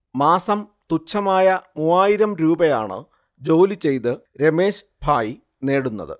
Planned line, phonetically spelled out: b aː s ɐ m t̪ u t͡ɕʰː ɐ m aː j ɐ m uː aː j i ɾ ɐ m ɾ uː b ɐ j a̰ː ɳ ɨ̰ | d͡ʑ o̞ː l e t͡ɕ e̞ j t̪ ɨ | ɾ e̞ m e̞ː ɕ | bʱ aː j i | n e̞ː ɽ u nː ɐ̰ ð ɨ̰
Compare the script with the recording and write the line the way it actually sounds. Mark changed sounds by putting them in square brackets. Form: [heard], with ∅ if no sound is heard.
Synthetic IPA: [m] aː s ɐ m t̪ u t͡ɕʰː ɐ m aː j ɐ m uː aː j i ɾ ɐ m ɾ uː b ɐ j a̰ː ɳ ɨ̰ | d͡ʑ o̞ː l [i] t͡ɕ e̞ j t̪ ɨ | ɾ e̞ m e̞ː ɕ | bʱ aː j i | n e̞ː ɽ u nː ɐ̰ ð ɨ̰